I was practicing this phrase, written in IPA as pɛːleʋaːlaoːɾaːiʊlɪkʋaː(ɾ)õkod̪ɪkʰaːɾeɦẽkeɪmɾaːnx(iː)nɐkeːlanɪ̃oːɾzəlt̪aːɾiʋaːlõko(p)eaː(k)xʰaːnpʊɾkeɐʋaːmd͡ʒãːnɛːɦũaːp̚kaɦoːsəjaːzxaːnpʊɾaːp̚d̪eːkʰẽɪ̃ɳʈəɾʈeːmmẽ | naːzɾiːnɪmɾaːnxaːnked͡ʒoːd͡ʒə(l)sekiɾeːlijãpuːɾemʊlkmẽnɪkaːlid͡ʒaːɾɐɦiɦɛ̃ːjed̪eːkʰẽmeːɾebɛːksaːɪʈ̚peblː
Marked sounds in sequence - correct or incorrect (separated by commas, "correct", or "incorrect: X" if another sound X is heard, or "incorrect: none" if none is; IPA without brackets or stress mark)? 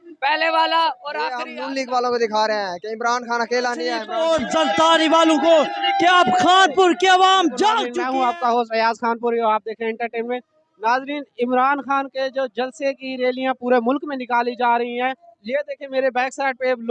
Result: incorrect: l, incorrect: aː, incorrect: k, incorrect: p, correct